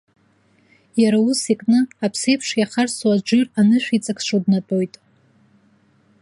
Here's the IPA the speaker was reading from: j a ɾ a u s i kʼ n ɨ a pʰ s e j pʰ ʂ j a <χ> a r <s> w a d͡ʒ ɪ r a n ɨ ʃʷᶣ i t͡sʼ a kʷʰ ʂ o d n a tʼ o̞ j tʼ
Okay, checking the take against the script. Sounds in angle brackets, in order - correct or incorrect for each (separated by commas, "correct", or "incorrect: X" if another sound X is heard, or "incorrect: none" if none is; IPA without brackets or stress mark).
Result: correct, correct